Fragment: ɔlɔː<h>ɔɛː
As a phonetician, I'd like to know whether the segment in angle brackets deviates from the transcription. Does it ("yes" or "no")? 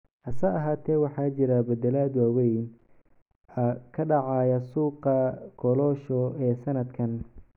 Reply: yes